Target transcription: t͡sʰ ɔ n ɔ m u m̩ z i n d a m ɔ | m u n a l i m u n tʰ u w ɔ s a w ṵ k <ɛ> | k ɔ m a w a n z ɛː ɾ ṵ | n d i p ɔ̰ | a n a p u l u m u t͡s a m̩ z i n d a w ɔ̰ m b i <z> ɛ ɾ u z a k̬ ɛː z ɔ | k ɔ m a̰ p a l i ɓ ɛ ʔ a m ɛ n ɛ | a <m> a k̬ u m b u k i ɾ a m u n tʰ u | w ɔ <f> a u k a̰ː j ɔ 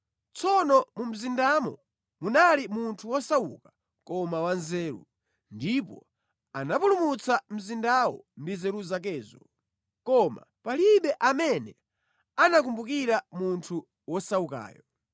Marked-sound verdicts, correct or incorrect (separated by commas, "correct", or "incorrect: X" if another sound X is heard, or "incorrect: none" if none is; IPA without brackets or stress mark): incorrect: a, correct, incorrect: n, incorrect: s